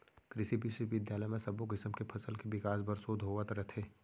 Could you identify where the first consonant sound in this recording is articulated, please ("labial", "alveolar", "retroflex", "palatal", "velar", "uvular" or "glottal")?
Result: velar